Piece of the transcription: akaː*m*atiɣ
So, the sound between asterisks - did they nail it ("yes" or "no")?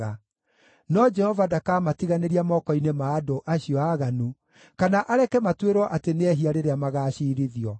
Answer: yes